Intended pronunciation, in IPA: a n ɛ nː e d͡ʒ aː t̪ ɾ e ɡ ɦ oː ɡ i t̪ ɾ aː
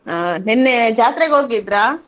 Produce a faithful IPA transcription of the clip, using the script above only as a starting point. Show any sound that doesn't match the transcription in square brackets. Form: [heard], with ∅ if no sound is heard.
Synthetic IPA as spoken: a n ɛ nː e d͡ʒ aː t̪ ɾ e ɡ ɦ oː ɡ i [d̪] ɾ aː